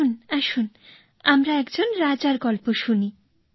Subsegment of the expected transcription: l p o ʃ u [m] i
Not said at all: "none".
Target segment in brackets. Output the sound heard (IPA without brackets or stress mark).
n